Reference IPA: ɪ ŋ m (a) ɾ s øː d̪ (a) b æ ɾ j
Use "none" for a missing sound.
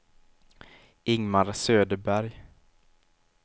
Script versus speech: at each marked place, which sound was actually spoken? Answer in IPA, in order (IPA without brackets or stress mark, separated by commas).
a, ə